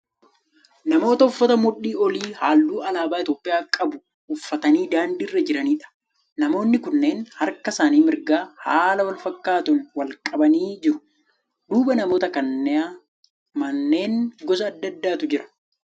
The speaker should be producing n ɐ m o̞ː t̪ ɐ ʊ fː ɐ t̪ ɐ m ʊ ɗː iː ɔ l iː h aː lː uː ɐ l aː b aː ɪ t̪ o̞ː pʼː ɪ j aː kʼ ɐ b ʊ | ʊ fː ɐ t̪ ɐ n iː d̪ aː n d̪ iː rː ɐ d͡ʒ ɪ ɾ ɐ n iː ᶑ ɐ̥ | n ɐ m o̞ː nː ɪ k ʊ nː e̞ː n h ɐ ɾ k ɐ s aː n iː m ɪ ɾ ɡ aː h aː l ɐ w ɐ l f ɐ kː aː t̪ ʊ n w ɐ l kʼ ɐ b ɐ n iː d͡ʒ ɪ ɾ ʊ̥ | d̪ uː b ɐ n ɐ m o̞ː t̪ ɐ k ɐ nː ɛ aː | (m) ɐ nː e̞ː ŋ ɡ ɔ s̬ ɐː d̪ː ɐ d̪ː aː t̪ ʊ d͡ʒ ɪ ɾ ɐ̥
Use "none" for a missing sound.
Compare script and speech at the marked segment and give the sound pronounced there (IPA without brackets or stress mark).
m